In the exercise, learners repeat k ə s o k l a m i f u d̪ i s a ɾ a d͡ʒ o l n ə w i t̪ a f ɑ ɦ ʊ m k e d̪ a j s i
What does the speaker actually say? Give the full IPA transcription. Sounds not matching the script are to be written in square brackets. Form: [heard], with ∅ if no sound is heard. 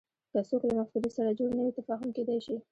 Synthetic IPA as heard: k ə s o k l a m [a] f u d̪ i s a ɾ a d͡ʒ o [ɽ] n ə w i t̪ a f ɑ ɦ ʊ m k e d̪ a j [ʃ] i